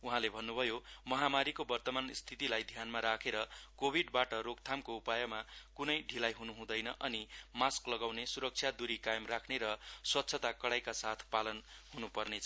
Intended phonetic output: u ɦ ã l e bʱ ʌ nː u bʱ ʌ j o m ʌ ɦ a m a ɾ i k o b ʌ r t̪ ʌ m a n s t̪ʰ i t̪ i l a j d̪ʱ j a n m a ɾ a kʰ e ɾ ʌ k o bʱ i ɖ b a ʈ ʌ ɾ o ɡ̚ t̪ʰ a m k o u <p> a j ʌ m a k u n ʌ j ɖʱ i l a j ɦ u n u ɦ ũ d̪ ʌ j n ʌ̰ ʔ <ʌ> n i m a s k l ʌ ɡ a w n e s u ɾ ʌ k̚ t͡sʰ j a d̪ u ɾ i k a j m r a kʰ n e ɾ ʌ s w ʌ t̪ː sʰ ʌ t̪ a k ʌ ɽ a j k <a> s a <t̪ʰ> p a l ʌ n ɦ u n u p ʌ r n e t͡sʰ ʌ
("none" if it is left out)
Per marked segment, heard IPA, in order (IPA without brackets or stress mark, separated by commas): p, ʌ, a, t̪ʰ